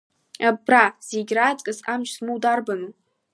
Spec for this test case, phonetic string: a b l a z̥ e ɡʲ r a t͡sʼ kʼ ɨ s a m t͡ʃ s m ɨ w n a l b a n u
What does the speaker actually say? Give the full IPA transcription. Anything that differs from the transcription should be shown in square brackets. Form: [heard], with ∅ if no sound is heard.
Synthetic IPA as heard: a b [r] a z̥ e ɡʲ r a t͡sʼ kʼ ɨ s a m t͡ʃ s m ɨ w [d] a [r] b a n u